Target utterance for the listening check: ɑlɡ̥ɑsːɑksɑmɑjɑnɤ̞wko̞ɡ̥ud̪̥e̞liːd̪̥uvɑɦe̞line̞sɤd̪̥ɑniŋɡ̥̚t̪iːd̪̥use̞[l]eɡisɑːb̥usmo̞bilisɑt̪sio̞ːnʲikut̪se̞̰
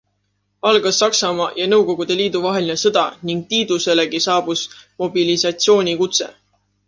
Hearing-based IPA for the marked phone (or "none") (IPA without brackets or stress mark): l